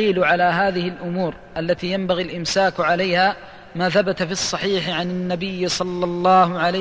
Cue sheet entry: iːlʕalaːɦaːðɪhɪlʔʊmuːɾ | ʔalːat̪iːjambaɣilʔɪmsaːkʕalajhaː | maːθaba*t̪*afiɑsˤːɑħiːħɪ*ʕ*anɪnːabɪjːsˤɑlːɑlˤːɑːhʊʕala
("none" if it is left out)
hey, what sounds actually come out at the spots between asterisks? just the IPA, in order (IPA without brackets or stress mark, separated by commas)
t̪, ʕ